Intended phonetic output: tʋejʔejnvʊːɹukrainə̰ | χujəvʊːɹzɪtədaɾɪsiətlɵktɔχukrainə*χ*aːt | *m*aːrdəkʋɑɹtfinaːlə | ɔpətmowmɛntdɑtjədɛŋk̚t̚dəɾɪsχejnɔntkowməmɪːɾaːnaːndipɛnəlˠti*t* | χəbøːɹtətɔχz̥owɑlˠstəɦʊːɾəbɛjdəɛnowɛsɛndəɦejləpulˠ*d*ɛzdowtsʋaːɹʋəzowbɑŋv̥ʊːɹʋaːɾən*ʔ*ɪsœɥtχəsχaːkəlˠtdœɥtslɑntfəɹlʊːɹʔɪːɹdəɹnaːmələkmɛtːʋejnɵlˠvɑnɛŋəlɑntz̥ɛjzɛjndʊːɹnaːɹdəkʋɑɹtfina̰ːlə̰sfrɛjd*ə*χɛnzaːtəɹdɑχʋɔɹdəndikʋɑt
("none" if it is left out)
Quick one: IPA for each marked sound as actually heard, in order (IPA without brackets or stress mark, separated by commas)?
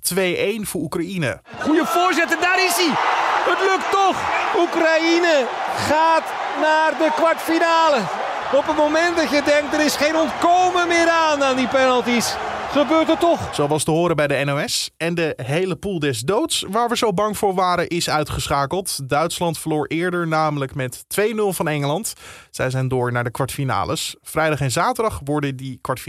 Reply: χ, n, s, d, ʔ, ɑ